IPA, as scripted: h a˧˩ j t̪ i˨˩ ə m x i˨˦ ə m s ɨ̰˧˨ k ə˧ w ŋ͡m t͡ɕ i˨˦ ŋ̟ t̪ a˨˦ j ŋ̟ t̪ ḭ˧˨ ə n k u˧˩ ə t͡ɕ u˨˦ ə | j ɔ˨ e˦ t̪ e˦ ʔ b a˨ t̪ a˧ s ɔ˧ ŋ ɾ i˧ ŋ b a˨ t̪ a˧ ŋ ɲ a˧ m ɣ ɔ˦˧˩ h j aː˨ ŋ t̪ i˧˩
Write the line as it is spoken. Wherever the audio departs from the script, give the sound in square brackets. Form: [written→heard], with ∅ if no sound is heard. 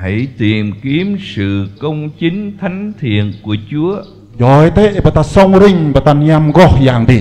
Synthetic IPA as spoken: h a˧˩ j t̪ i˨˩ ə m [x→k] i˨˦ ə m s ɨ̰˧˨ k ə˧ w ŋ͡m t͡ɕ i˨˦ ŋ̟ [t̪→t̪ʰ] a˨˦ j ŋ̟ [t̪→t̪ʰ] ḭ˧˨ ə n k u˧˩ ə t͡ɕ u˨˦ ə | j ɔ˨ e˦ t̪ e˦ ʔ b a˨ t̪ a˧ s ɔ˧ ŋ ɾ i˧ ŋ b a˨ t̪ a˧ [ŋ→n] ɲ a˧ m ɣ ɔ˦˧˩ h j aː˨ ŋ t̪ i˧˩